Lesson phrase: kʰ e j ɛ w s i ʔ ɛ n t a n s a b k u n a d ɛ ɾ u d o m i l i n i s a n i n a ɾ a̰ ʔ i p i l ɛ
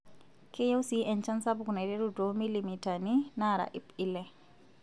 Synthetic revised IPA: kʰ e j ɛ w s i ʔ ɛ n t͡ʃ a n s a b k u n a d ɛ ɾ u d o m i l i m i t a n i n a ɾ a̰ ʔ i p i l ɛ